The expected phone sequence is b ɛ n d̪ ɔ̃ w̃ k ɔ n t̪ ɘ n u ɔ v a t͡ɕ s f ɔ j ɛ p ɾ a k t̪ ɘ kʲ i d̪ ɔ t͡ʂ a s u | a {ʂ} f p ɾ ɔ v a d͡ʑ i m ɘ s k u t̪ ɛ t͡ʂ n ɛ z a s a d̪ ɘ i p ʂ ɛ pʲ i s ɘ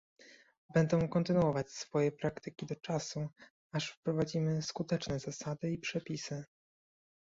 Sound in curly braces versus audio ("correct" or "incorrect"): correct